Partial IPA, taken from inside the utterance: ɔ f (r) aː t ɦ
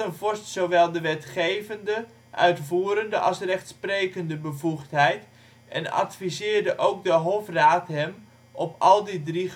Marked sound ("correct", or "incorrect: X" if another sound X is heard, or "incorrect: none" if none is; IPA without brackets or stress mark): correct